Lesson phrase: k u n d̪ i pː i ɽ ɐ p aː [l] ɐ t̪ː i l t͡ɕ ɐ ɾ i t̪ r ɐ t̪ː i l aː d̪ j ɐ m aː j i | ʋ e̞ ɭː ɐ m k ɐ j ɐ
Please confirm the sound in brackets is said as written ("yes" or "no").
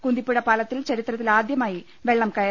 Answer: yes